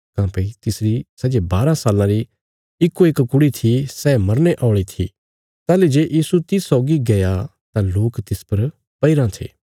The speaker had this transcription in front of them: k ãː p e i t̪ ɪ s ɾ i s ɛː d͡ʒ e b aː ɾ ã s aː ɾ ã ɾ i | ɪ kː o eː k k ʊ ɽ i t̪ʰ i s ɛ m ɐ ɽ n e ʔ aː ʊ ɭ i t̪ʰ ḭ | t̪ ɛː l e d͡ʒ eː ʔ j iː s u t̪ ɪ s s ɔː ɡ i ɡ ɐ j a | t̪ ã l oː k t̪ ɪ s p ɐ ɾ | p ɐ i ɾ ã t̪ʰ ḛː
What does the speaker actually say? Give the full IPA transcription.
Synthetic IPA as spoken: k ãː p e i t̪ ɪ s ɾ i s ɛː d͡ʒ e b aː ɾ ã s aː l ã ɾ i | ɪ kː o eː k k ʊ ɽ i t̪ʰ i s ɛ m ɐ ɾ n e ʔ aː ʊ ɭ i t̪ʰ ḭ | t̪ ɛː l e d͡ʒ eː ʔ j iː s u t̪ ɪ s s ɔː ɡ i ɡ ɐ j a | t̪ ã l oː k t̪ ɪ s p ɐ ɾ | p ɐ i ɾ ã t̪ʰ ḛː